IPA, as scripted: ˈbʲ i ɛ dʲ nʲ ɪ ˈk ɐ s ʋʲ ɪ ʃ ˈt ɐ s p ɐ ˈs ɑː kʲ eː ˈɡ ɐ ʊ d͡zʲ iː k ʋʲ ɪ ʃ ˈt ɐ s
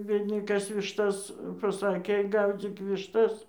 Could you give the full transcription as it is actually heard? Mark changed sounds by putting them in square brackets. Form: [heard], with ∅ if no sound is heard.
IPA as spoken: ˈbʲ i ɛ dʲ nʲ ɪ ˈk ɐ s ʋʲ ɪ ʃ ˈt ɐ s p ɐ ˈs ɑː kʲ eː ˈɡ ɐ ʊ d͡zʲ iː k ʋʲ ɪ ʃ ˈt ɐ s